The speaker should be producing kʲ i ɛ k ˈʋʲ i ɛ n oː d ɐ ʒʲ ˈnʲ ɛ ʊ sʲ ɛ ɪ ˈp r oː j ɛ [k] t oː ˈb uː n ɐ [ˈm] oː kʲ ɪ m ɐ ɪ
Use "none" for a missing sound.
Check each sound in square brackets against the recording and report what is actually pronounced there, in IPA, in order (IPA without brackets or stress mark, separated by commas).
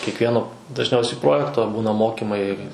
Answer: k, m